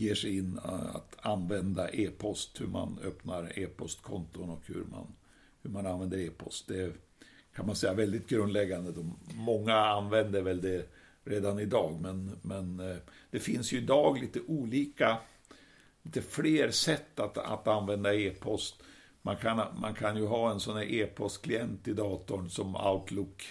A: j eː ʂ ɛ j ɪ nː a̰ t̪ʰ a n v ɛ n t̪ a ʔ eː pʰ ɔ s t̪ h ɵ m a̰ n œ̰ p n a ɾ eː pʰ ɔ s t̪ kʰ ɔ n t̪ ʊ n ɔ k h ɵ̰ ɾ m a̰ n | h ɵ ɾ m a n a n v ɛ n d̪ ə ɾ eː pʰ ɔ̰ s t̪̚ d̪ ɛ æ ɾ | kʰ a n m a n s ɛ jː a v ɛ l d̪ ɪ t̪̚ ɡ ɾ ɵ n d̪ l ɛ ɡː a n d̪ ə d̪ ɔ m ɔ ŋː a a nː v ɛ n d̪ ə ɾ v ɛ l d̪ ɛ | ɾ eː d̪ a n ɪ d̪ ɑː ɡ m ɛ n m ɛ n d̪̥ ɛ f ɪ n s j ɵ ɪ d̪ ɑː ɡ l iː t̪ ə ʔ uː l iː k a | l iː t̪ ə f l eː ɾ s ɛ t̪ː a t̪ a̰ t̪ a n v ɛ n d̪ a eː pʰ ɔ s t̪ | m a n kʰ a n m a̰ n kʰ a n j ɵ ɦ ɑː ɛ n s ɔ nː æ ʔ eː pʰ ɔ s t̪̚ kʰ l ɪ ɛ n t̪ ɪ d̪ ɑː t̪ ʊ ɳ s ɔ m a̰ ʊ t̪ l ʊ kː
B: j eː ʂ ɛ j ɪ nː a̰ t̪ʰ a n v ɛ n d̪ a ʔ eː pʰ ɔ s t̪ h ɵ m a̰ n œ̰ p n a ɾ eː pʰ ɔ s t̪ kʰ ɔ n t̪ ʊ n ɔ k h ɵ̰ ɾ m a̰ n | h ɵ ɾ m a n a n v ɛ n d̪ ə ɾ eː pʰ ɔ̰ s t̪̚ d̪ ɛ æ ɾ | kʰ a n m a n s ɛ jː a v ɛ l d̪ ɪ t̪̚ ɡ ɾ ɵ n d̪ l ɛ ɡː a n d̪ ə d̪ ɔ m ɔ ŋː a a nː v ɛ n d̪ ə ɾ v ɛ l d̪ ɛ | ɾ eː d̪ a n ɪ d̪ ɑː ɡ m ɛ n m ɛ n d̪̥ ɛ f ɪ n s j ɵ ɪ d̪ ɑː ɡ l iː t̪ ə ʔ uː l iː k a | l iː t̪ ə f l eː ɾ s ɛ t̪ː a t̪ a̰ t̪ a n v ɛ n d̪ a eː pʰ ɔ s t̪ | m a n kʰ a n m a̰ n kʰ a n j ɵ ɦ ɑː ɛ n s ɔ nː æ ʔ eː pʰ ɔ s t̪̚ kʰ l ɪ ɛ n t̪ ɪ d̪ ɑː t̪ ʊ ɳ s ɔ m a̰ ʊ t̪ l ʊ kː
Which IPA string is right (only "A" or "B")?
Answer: B